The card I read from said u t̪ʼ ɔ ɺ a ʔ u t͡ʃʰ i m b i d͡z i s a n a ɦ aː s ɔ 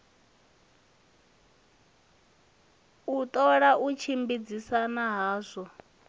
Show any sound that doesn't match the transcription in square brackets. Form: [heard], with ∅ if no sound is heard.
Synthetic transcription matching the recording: u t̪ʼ ɔ ɺ a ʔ u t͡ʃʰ i m b i d͡z i s a n a ɦ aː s ɔ